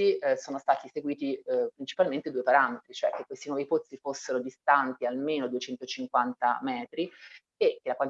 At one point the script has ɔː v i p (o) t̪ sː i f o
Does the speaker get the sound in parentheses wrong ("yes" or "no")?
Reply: no